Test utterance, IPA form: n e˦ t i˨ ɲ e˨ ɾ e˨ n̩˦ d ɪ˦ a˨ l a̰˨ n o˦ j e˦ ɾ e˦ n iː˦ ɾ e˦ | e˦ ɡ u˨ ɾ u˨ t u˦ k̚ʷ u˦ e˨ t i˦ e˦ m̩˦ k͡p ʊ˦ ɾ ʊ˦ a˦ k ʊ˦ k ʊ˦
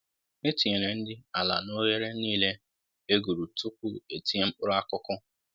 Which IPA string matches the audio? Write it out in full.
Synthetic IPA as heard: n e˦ t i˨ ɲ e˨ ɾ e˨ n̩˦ d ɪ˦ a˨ l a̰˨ n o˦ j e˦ ɾ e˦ n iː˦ l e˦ | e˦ ɡ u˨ ɾ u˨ t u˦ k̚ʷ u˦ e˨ t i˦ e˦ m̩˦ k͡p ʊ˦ ɾ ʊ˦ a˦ k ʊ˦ k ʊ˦

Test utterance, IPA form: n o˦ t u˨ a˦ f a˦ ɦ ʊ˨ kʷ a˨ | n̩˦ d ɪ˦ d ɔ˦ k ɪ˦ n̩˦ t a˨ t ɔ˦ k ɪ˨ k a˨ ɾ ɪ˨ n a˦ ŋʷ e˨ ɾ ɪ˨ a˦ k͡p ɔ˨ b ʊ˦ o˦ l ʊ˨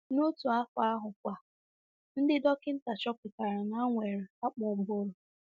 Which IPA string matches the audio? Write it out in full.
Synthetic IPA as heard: n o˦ t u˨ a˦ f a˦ ɦ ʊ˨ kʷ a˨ | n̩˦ d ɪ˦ d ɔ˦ k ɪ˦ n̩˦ t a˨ t͡ʃ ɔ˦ p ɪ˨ k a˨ ɾ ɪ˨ n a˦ ŋʷ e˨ ɾ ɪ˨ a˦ k͡p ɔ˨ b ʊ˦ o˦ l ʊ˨

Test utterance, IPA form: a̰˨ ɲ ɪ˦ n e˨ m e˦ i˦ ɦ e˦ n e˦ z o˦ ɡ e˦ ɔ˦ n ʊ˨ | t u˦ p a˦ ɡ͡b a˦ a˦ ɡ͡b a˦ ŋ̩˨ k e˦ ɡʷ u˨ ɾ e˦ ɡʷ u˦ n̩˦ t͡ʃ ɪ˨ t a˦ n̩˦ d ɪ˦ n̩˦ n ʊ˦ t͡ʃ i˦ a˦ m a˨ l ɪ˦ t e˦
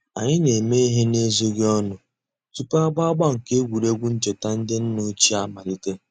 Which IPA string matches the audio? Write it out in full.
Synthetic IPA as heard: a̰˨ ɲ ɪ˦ n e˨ m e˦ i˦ ɦ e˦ n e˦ z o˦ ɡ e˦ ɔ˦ n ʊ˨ | t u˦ p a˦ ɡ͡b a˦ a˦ ɡ͡b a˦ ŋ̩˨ k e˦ ɡʷ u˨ ɾ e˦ ɡʷ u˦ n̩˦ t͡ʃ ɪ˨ t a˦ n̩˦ d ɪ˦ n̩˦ n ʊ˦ t͡ʃ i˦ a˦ m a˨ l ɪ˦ t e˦

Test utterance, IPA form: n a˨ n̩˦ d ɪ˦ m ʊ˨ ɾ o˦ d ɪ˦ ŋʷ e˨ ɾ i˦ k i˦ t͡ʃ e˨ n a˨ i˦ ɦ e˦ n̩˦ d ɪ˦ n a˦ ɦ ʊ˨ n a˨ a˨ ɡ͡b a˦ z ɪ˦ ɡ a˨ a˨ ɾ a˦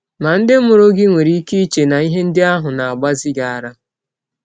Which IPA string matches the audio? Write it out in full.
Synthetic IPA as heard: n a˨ n̩˦ d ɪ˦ m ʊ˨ ɾ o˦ ɡ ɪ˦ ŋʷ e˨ ɾ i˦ k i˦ t͡ʃ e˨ n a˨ i˦ ɦ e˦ n̩˦ d ɪ˦ a˦ ɦ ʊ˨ n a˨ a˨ ɡ͡b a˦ z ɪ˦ ɡ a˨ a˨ ɾ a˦

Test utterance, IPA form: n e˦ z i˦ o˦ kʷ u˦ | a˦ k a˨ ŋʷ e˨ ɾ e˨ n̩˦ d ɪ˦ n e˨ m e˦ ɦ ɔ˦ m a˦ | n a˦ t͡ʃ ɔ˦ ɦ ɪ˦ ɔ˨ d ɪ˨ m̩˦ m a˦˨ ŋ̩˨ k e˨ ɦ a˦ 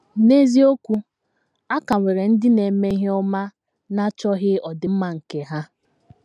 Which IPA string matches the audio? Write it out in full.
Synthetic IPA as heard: n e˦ z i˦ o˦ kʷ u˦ | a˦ k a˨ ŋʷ e˨ ɾ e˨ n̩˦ d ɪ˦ n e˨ m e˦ ɦ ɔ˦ m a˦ | n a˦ t͡ʃ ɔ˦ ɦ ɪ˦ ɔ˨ d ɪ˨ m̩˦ m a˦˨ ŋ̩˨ k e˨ ɦ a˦

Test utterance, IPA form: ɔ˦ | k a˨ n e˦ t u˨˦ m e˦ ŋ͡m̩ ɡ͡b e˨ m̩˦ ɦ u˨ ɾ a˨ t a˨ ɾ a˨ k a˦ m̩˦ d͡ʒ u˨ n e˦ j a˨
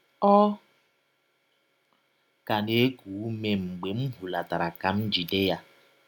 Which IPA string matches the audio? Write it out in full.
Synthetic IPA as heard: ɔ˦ | k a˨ n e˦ k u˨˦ m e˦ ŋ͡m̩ ɡ͡b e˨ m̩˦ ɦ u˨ l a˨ t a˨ ɾ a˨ k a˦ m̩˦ d͡ʒ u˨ d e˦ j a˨

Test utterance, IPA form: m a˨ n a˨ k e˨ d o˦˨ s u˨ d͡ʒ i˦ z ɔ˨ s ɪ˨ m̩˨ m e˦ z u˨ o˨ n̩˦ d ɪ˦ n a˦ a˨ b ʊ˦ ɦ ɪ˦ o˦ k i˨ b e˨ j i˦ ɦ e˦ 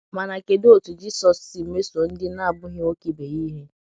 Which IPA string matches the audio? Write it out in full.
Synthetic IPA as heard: m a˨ n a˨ k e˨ d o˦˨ t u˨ d͡ʒ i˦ s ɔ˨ s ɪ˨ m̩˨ m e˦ s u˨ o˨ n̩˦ d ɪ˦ n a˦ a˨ b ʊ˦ ɦ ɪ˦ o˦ k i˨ b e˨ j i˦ ɦ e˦

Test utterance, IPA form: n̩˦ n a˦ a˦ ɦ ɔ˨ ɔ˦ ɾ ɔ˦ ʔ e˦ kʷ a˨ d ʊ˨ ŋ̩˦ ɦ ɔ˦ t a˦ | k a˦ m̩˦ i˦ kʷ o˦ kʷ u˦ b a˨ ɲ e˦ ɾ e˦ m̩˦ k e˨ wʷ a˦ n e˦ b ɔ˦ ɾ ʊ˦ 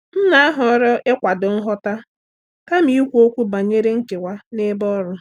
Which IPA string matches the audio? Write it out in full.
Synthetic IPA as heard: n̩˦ n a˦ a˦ ɦ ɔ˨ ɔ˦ ɾ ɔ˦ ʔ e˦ kʷ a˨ d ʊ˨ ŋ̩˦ ɦ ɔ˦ t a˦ | k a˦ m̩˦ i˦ kʷ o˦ kʷ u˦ b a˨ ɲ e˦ ɾ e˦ ŋ̩˦ k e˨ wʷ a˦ n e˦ b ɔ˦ ɾ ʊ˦

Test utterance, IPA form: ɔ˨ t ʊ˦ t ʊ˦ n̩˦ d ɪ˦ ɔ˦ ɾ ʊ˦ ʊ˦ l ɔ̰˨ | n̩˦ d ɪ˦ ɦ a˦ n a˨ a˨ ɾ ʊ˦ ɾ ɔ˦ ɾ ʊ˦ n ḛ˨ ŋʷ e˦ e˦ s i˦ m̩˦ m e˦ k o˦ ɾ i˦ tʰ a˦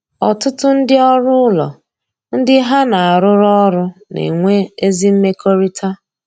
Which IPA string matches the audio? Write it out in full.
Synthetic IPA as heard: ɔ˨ t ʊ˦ t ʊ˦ n̩˦ d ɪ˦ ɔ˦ ɾ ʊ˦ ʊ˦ l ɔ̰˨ | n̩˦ d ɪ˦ ɦ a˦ n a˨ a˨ ɾ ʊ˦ ɾ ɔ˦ ɾ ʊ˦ n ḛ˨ ŋʷ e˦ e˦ z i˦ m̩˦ m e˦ k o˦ ɾ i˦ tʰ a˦

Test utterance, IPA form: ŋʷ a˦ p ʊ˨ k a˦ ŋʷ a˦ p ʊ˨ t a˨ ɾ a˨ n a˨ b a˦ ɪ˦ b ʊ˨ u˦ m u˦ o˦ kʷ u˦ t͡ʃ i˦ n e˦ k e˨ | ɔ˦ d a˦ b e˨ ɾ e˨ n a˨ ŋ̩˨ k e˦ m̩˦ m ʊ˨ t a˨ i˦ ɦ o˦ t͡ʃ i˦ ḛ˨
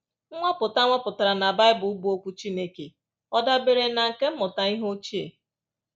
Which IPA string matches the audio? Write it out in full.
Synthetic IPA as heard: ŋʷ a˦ p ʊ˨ t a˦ ŋʷ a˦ p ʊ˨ t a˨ ɾ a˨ n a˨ b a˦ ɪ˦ b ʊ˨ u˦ b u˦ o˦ kʷ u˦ t͡ʃ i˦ n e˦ k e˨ | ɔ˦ d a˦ b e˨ ɾ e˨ n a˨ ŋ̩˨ k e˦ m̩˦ m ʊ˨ t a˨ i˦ ɦ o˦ t͡ʃ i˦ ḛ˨

